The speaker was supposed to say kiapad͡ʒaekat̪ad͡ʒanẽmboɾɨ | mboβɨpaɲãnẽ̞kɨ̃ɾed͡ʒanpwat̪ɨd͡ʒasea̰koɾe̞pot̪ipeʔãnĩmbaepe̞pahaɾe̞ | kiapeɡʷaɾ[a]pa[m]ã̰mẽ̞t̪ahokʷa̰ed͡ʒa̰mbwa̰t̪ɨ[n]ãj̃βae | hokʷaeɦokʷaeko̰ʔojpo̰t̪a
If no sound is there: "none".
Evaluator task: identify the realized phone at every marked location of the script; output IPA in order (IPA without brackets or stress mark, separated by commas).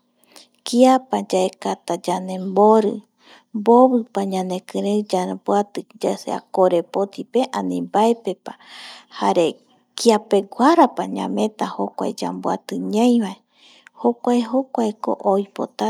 a, ɲ, ɲ